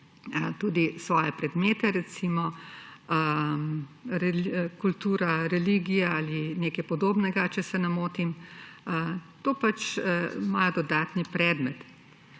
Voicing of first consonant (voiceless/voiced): voiceless